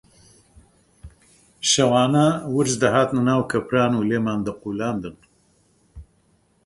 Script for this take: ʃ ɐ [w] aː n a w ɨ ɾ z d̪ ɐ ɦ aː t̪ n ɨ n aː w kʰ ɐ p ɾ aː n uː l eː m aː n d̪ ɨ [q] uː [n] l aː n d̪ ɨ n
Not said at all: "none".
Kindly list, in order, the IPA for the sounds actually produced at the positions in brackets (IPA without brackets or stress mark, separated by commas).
w, q, none